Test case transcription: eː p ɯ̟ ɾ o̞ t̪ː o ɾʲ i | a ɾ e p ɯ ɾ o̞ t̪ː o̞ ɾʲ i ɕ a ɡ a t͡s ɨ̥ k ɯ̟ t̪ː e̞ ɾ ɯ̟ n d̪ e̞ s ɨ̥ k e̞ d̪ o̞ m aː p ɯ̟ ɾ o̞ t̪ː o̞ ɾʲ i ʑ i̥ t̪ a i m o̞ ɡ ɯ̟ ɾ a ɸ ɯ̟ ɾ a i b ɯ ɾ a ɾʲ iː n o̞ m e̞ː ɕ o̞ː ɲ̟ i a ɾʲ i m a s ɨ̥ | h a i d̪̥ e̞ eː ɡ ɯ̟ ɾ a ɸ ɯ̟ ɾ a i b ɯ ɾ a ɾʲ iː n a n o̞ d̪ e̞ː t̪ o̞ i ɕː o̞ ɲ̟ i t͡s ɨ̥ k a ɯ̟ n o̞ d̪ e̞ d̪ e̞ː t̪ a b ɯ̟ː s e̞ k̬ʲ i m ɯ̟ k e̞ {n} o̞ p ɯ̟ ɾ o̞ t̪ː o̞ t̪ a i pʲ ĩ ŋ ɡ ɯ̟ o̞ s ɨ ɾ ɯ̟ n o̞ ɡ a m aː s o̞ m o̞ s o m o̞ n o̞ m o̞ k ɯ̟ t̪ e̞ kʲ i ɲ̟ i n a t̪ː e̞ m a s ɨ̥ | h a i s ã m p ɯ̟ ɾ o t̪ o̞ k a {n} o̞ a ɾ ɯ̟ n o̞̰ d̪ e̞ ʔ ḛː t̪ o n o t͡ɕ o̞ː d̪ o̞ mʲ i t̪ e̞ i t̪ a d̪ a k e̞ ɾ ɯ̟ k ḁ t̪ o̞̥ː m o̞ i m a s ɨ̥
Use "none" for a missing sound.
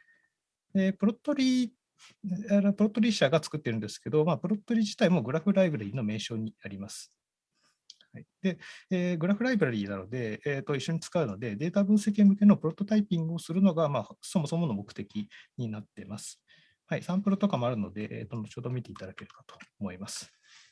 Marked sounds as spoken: n, m

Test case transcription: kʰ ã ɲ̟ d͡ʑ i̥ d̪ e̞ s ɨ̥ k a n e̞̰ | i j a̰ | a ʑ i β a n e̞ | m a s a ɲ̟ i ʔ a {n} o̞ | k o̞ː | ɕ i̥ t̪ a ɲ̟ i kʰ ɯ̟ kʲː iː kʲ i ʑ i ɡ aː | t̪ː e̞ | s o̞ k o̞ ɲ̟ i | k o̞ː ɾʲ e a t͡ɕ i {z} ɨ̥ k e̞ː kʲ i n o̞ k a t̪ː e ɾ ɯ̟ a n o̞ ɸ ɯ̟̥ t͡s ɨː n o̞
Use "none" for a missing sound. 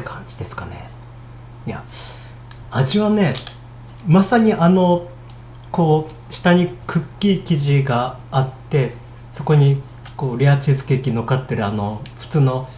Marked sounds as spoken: n, z

